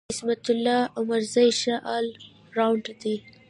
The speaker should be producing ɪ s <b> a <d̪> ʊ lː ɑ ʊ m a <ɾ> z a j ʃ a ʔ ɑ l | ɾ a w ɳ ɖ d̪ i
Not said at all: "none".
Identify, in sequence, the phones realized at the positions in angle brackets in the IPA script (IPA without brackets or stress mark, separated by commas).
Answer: m, t̪, ɾ